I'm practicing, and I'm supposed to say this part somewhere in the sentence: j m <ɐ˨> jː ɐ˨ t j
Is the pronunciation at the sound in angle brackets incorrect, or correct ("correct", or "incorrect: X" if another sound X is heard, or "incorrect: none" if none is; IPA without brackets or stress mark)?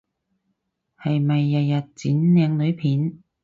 correct